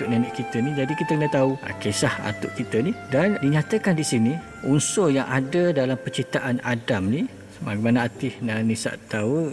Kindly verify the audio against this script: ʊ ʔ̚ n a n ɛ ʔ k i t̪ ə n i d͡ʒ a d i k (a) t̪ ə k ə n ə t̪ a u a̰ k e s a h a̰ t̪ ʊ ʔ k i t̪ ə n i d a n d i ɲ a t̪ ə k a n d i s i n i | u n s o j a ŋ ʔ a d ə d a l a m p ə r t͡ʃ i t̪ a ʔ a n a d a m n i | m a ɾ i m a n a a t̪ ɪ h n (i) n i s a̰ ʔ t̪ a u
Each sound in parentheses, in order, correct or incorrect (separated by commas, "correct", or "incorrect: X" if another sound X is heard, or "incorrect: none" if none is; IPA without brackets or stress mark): incorrect: i, incorrect: a